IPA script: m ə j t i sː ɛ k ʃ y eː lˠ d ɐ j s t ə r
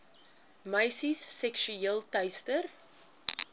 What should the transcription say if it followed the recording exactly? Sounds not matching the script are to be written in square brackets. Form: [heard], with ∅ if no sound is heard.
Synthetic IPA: m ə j [s] i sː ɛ k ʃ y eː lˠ [t] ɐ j s t ə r